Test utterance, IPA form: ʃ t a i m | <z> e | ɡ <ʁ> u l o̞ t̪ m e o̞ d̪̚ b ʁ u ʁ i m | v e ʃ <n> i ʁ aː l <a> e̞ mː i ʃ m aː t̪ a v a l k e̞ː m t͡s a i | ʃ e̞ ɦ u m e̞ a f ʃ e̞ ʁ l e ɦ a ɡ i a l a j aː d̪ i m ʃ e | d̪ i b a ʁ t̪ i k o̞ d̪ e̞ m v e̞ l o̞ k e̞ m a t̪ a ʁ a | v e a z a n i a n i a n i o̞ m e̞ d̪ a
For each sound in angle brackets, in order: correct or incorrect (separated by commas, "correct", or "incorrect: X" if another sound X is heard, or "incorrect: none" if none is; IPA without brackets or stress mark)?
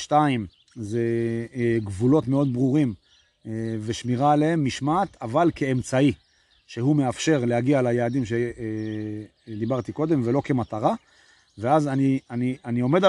correct, incorrect: v, incorrect: m, incorrect: e